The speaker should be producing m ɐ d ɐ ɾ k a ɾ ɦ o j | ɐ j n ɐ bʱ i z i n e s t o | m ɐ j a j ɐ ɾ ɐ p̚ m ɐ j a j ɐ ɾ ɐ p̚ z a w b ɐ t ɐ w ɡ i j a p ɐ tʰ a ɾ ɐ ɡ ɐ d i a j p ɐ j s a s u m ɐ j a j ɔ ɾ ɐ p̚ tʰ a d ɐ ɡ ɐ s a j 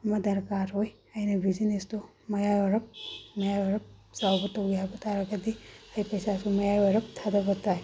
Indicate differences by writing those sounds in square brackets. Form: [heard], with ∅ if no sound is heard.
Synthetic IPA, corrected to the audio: m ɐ d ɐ ɾ k a ɾ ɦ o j | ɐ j n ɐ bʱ i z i n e s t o | m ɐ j a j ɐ ɾ ɐ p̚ m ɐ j a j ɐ ɾ ɐ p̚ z a w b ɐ t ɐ w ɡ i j a [b] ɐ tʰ a ɾ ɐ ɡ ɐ d i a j p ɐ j s a s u m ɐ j a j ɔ ɾ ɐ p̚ tʰ a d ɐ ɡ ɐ [t] a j

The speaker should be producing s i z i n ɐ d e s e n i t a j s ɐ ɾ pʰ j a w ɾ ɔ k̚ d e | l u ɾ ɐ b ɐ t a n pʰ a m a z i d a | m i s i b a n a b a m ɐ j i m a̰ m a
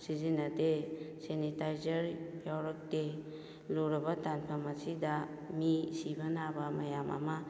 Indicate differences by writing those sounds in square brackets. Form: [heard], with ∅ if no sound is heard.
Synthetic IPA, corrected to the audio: s i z i n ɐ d e s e n i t a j [z] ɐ ɾ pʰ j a w ɾ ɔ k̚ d e | l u ɾ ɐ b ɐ t a n pʰ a m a [s] i d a | m i s i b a n a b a m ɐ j [a] m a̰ m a

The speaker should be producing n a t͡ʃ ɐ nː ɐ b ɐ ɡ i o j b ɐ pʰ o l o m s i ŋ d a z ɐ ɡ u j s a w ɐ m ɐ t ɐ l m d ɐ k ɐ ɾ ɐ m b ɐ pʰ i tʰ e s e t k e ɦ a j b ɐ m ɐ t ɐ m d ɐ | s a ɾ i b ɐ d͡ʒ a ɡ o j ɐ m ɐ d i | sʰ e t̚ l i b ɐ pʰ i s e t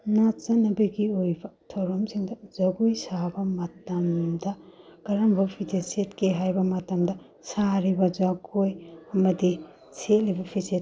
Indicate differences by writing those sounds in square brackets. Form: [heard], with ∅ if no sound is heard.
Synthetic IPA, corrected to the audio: n a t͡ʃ ɐ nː ɐ b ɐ ɡ i o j b ɐ [tʰ] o [ɾ] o m s i ŋ d [ɐ] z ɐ ɡ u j s a [b] ɐ m ɐ t ɐ [∅] m d ɐ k ɐ ɾ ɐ m b ɐ pʰ i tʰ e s e t k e ɦ a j b ɐ m ɐ t ɐ m d ɐ | s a ɾ i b ɐ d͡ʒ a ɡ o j ɐ m ɐ d i | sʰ e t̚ l i b ɐ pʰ i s e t

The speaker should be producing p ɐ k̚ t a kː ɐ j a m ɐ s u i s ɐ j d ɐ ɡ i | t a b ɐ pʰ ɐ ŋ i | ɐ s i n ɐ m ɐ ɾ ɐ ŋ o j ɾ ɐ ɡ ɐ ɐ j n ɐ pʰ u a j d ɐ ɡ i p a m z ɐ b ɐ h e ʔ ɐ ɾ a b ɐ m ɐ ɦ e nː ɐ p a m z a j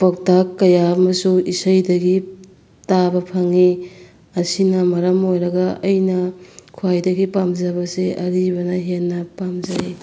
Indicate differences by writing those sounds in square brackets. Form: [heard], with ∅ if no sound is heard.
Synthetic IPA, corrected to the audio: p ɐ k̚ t a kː ɐ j a m ɐ s u i s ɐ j d ɐ ɡ i | t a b ɐ pʰ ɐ ŋ i | ɐ s i n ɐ m ɐ ɾ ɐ [m] o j ɾ ɐ ɡ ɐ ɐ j n ɐ [kʰ] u a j d ɐ ɡ i p a m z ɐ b ɐ [s] e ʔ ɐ ɾ [i] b ɐ [n] ɐ ɦ e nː ɐ p a m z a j

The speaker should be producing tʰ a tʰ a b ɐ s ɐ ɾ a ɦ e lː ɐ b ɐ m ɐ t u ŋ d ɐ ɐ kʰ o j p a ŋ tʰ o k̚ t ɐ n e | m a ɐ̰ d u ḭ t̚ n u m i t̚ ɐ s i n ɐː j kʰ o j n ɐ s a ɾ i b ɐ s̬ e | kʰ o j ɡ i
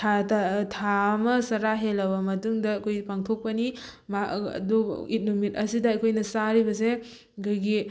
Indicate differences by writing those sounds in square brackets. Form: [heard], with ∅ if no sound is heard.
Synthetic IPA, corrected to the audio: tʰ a tʰ a [m] ɐ s ɐ ɾ a ɦ e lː ɐ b ɐ m ɐ t u ŋ d ɐ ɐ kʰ o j p a ŋ tʰ o k̚ [p] ɐ n [i] | m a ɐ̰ d u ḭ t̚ n u m i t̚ ɐ s i [d] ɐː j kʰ o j n ɐ s a ɾ i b ɐ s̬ e | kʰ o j ɡ i

